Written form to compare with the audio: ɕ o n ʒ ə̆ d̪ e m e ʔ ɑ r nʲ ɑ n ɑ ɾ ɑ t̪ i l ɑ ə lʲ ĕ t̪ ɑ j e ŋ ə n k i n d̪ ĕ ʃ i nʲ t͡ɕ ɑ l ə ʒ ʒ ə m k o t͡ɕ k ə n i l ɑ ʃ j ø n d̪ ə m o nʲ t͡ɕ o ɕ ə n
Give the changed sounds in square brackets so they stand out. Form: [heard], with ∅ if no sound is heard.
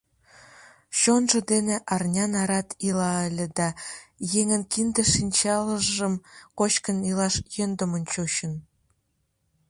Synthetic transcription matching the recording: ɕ o n ʒ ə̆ d̪ e [n] e ʔ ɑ r nʲ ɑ n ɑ ɾ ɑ t̪ i l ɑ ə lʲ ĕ [d̪] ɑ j e ŋ ə n k i n d̪ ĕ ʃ i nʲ t͡ɕ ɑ l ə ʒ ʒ ə m k o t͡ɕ k ə n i l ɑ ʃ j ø n d̪ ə m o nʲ t͡ɕ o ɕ ə n